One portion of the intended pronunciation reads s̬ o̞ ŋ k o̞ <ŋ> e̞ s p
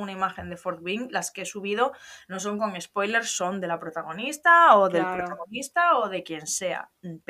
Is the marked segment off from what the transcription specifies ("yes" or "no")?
no